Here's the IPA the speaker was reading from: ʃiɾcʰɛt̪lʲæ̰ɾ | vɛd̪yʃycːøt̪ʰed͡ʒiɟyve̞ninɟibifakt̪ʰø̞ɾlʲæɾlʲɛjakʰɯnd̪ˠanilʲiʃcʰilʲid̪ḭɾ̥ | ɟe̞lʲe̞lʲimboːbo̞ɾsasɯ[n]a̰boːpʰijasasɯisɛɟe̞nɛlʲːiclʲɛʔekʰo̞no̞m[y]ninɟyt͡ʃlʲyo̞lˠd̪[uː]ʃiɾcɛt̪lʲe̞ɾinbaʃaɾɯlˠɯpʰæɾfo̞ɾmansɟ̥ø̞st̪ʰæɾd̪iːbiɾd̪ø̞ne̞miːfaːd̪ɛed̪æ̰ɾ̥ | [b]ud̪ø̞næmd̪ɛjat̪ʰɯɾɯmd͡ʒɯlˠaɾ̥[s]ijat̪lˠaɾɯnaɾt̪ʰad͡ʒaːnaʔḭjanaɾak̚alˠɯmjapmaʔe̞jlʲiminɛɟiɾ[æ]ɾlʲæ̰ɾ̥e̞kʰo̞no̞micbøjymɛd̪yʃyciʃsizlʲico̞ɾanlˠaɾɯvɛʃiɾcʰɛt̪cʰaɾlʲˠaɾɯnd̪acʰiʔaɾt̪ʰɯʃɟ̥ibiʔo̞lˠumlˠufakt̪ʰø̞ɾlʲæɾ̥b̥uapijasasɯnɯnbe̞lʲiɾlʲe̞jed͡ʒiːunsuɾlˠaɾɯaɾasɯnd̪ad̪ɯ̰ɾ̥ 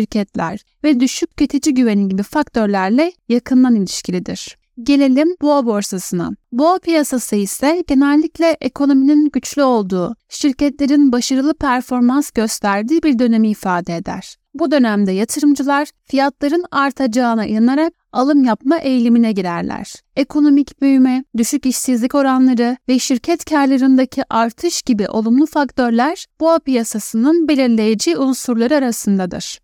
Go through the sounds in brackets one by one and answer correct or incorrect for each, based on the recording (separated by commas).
correct, incorrect, correct, correct, incorrect, correct